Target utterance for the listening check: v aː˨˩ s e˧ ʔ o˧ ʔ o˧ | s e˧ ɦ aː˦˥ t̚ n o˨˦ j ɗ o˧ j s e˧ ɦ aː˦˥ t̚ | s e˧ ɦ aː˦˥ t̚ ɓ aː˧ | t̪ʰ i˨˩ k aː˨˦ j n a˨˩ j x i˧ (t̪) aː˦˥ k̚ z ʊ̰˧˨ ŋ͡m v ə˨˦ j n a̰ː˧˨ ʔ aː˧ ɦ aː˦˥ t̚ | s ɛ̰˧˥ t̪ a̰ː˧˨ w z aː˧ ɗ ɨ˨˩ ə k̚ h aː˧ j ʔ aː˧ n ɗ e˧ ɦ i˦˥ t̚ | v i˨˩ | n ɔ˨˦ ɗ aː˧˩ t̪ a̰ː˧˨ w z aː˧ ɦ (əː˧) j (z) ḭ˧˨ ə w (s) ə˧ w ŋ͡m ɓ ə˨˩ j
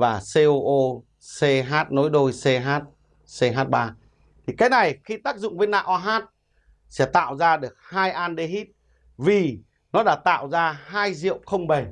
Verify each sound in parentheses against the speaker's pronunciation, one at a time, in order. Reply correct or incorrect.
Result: correct, incorrect: aː˧, correct, incorrect: x

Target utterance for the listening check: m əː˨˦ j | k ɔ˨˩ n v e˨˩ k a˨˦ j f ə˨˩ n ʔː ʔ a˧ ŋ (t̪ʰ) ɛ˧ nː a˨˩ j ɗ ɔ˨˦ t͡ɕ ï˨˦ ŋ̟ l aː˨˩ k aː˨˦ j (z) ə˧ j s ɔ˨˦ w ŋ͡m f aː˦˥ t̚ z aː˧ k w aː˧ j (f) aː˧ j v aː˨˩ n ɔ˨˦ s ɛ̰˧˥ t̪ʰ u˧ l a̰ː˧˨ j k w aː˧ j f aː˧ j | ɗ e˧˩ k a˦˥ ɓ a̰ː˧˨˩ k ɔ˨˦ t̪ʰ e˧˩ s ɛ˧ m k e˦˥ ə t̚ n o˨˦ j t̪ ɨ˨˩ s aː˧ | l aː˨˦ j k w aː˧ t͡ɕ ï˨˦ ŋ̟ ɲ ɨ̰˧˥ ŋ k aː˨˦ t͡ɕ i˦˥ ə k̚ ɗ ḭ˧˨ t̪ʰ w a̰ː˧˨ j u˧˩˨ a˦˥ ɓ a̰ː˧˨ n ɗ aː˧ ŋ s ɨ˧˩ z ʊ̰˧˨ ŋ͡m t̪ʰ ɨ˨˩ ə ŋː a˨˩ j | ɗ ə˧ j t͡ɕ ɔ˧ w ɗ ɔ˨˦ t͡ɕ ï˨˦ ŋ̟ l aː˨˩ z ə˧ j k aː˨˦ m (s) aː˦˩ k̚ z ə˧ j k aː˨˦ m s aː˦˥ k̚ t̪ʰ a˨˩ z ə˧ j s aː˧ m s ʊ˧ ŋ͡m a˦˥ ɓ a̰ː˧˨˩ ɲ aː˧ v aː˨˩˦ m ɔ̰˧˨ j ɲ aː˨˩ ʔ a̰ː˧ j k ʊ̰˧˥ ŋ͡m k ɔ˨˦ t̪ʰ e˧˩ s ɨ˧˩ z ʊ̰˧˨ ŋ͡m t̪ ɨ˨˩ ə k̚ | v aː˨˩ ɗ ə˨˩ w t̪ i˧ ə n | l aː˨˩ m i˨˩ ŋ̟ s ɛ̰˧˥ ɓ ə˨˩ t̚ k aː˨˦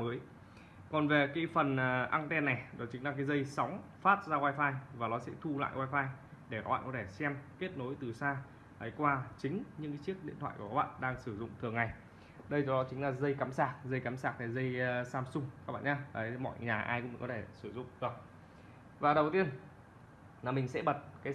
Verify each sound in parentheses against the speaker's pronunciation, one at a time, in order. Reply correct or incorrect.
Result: incorrect: t̪, correct, correct, correct

